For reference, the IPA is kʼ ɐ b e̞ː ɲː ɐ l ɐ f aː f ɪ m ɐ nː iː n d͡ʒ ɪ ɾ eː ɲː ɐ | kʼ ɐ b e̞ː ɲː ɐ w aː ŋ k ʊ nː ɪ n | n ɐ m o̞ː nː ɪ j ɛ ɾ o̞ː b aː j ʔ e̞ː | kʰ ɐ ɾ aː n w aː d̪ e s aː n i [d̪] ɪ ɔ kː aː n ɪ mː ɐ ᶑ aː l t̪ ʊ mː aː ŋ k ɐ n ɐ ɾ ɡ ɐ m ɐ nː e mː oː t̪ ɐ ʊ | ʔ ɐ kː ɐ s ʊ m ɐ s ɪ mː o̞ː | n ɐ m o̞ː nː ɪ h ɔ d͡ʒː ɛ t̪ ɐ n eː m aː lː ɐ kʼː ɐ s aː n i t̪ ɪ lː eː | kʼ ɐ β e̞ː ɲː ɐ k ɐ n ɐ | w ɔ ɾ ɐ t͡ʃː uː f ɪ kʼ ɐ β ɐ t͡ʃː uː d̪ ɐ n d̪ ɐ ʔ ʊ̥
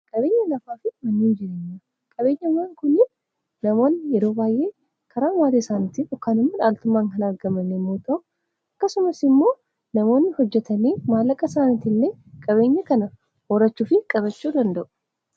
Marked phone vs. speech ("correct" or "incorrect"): incorrect